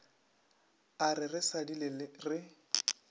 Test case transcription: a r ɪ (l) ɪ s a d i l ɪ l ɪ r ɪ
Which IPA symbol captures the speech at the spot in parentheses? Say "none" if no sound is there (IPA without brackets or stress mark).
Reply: r